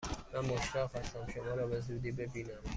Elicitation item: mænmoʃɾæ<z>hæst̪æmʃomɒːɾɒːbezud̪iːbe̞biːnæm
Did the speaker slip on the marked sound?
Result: yes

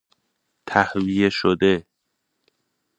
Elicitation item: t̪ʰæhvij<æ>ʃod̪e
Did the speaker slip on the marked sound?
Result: yes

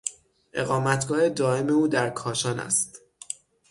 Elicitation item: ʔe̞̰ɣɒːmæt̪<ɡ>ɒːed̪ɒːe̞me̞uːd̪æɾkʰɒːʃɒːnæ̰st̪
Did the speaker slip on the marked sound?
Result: no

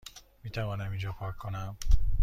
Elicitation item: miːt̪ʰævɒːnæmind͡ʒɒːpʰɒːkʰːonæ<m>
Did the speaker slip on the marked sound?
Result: no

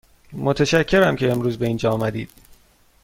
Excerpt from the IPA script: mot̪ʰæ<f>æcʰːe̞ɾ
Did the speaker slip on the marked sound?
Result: yes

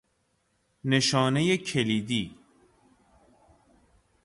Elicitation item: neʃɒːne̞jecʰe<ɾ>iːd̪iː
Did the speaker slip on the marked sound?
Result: yes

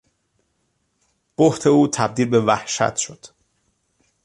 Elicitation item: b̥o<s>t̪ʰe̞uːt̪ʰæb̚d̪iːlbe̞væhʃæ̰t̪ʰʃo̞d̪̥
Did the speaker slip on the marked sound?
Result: yes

